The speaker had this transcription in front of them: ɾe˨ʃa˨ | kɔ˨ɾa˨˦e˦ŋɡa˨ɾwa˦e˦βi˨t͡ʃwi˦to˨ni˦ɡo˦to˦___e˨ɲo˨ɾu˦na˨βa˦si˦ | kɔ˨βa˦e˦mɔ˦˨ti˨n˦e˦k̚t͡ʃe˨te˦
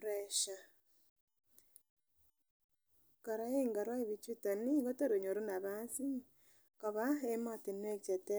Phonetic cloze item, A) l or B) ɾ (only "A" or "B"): B